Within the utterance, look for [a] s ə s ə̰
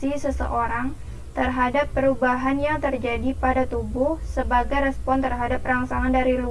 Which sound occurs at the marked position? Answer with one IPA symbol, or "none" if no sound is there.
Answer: i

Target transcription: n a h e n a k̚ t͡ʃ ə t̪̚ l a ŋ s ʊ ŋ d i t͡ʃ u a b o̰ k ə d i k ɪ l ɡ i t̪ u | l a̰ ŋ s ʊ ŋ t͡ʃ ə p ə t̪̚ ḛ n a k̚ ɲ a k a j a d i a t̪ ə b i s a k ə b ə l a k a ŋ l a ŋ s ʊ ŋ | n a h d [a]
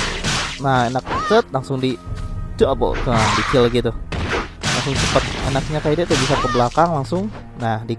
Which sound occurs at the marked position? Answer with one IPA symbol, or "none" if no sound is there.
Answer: i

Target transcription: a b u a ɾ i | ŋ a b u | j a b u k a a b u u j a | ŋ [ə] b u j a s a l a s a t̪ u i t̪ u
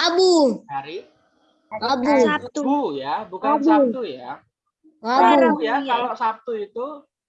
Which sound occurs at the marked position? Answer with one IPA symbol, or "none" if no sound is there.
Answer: a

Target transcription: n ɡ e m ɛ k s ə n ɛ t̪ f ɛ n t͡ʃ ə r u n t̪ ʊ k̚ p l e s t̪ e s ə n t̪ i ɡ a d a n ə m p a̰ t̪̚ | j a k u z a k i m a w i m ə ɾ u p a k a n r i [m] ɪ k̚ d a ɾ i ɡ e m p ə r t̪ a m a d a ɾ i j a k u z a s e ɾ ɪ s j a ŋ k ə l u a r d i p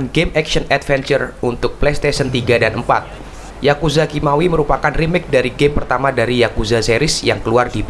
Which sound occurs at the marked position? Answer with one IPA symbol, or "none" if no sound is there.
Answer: m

